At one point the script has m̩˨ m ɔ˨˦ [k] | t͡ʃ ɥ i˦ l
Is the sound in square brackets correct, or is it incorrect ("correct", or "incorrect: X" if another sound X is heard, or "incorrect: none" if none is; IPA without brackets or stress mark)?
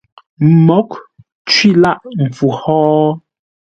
correct